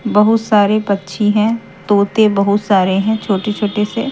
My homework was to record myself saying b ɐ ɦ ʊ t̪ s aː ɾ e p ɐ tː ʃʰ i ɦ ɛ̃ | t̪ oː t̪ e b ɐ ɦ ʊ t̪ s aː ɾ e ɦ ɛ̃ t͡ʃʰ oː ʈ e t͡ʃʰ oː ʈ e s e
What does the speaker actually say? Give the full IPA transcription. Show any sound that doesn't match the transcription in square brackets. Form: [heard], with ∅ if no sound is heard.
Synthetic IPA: b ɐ ɦ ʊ t̪ s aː ɾ e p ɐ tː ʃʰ i ɦ ɛ̃ | t̪ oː t̪ e b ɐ ɦ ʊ t̪ s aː ɾ e ɦ ɛ̃ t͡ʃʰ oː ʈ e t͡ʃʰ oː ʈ e s e